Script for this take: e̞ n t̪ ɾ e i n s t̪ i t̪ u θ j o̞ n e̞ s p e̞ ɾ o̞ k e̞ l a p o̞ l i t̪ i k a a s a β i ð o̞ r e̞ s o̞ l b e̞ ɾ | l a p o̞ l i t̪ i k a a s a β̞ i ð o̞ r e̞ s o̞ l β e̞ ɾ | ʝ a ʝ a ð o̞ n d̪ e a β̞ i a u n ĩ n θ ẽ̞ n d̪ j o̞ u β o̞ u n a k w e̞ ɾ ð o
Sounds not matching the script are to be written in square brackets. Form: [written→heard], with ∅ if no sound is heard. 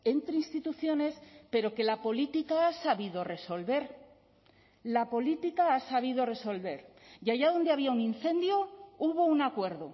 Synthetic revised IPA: e̞ n t̪ ɾ e i n s t̪ i t̪ u θ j o̞ n e̞ s p e̞ ɾ o̞ k e̞ l a p o̞ l i t̪ i k a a s a β i ð o̞ r e̞ s o̞ l [b→β] e̞ ɾ | l a p o̞ l i t̪ i k a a s a β̞ i ð o̞ r e̞ s o̞ l β e̞ ɾ | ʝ a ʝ a ð o̞ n d̪ e a β̞ i a u n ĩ n θ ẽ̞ n d̪ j o̞ u β o̞ u n a k w e̞ ɾ ð o